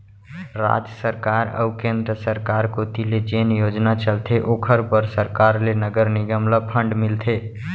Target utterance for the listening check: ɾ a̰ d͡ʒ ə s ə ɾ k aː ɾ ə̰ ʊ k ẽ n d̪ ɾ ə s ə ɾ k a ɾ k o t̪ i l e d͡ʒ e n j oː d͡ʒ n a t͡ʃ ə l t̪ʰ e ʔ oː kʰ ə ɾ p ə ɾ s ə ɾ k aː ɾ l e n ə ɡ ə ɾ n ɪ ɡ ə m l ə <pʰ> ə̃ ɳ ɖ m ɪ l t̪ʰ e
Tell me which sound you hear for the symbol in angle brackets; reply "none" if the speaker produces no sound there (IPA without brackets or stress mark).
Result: pʰ